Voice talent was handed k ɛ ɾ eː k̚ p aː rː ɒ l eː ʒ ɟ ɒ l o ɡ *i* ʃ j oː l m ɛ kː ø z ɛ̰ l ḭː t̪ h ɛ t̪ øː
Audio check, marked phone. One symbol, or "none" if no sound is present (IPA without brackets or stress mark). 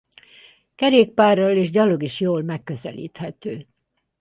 i